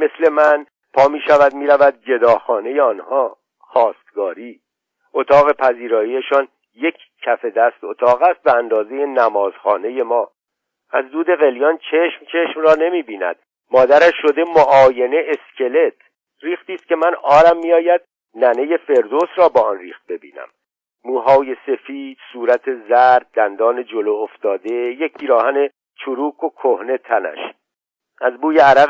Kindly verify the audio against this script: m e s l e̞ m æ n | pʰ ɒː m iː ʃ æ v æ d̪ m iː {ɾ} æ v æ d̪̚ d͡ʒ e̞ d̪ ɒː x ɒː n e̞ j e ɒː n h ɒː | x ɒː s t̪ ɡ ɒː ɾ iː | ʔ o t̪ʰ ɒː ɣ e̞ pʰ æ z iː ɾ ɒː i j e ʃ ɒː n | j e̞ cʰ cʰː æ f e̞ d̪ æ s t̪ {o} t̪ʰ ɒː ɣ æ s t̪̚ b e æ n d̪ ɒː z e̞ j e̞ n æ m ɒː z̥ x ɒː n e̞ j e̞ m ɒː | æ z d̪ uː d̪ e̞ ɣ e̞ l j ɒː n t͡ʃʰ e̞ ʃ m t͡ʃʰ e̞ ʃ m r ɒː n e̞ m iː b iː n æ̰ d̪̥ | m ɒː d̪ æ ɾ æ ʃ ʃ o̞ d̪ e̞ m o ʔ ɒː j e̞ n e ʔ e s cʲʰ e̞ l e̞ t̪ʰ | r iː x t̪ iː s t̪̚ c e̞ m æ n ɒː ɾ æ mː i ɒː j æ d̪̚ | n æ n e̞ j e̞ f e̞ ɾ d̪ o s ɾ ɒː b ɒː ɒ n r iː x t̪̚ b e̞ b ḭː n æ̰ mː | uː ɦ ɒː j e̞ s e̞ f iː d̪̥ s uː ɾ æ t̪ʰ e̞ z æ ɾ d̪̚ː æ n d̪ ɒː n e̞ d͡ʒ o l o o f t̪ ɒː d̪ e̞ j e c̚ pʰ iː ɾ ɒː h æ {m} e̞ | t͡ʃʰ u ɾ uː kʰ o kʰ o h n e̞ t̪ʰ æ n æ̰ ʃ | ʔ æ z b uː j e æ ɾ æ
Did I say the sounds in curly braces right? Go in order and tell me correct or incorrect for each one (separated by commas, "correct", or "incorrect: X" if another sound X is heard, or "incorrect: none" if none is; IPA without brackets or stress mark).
correct, correct, incorrect: n